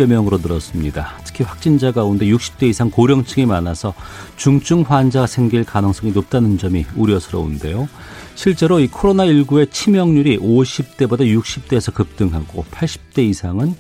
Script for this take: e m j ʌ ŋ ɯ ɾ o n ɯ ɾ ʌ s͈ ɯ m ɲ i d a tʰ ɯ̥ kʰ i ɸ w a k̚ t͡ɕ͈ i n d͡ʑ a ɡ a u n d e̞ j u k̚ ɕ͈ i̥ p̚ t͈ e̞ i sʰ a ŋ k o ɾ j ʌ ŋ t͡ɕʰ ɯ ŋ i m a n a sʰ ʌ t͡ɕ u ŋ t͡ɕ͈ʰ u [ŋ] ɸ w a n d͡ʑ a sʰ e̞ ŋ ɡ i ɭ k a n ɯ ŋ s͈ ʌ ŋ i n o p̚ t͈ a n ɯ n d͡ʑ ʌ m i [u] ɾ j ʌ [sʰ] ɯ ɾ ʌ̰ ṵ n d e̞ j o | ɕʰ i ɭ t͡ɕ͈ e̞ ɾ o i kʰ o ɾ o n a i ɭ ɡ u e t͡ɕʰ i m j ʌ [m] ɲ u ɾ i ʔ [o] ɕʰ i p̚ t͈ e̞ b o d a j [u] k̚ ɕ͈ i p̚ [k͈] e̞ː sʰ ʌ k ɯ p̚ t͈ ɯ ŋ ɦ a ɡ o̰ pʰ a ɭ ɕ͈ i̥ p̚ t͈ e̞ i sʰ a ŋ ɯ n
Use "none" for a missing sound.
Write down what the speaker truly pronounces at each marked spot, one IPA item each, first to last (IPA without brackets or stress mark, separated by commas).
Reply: ŋ, u, sʰ, ŋ, o, u, t͈